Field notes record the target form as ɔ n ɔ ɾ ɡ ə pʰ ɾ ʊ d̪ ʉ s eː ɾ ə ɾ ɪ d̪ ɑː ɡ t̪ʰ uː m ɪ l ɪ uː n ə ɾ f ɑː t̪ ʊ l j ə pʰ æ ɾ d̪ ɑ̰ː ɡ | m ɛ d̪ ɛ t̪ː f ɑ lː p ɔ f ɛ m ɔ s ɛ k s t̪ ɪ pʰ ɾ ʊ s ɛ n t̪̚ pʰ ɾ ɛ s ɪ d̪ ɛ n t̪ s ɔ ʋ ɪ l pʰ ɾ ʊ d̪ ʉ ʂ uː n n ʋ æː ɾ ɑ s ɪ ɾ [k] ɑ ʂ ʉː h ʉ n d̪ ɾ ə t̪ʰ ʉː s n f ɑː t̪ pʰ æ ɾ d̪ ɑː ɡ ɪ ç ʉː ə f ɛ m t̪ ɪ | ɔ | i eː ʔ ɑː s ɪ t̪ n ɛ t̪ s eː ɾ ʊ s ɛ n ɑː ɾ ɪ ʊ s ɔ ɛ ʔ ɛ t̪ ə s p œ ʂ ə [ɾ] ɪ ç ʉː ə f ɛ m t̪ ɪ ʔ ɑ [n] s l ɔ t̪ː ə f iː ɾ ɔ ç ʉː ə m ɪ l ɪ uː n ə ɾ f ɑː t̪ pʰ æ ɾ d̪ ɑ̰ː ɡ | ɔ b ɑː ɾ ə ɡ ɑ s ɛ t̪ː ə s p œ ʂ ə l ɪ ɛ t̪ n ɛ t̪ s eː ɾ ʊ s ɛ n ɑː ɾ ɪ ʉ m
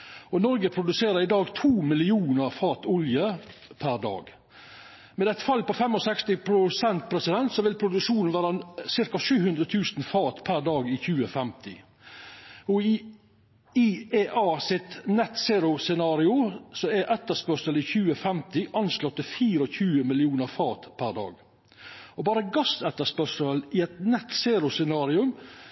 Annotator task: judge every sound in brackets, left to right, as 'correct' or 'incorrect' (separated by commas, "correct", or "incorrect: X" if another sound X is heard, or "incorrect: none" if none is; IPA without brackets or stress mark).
correct, incorrect: l, correct